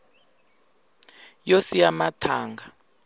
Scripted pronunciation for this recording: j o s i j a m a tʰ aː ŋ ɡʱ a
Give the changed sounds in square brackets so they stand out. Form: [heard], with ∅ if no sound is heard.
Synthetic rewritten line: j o s i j a m a tʰ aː ŋ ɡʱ a